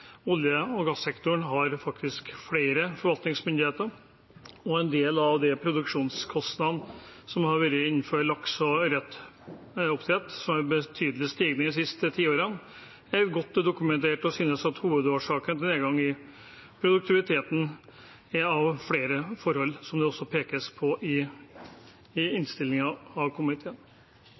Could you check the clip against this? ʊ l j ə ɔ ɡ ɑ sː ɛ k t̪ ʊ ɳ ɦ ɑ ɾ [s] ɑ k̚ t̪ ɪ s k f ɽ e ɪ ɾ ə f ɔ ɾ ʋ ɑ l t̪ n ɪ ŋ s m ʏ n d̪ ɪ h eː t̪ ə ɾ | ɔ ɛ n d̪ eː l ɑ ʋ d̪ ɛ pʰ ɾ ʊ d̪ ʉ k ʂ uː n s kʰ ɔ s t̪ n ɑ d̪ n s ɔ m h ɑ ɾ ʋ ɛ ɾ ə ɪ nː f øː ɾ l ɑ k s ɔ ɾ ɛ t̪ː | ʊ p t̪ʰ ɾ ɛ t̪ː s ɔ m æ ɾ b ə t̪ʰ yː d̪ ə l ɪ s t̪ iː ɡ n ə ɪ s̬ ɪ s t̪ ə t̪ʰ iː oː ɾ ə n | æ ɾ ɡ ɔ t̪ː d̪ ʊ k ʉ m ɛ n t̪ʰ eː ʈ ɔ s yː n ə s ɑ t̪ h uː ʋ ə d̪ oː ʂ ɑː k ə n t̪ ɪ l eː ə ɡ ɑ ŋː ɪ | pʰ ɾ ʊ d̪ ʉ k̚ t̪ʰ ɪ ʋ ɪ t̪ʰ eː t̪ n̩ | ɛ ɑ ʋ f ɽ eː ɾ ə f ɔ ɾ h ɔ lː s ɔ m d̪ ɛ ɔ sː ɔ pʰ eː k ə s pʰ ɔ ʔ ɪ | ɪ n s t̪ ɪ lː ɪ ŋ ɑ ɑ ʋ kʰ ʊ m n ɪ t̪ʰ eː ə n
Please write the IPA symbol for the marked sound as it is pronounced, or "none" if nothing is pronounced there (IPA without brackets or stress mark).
f